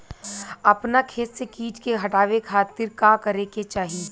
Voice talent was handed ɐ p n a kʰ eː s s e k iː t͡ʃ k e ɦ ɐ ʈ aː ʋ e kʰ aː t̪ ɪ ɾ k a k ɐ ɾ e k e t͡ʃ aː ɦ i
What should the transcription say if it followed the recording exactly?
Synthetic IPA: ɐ p n a kʰ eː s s e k iː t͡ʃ k e ɦ ɐ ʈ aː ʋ e kʰ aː t̪ ɪ ɾ k a k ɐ ɾ e k e t͡ʃ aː ɦ i